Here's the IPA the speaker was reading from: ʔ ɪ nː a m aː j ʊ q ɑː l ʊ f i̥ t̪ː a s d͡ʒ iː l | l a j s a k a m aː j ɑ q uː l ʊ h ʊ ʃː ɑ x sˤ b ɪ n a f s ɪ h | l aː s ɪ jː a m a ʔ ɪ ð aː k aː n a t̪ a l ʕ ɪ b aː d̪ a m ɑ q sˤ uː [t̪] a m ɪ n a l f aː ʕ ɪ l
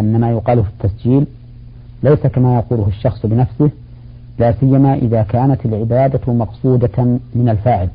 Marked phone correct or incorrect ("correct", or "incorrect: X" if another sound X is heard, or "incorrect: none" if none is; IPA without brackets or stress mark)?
incorrect: d̪